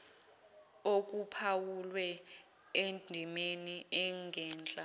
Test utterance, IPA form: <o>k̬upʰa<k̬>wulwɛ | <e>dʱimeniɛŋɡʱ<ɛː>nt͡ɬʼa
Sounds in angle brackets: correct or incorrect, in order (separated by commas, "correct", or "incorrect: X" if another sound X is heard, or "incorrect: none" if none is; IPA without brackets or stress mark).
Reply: correct, incorrect: none, correct, correct